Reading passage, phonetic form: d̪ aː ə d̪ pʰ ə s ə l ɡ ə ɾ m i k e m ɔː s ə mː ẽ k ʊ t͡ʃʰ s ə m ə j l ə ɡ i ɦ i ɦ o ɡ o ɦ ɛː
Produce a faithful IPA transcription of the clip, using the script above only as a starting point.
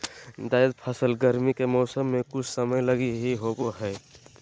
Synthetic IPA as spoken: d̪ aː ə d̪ pʰ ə s ə l ɡ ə ɾ m i k e m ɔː s ə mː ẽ k ʊ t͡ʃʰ s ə m ə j l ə ɡ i ɦ i ɦ o ɡ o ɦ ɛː